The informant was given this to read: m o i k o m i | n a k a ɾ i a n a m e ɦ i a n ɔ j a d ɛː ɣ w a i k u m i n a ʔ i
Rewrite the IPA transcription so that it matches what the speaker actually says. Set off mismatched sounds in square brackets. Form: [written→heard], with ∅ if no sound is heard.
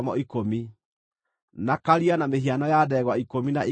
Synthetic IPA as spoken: m [o→ɔ] i k o m i | n a k a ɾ i a n a m e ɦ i a n ɔ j a d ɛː ɣ w a i k [u→o] m i n a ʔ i